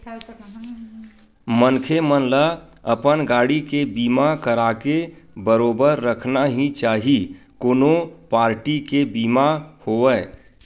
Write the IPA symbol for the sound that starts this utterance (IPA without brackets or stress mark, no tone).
m